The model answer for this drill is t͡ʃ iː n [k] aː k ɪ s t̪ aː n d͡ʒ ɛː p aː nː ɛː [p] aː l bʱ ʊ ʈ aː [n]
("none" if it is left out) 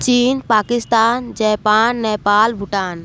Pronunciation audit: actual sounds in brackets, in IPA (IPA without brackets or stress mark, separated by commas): p, p, n